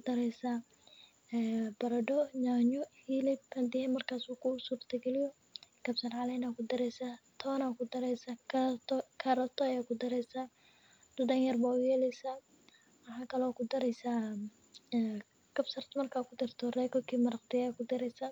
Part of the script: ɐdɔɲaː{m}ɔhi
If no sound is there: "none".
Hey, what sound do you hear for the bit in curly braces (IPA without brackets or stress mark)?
ɲ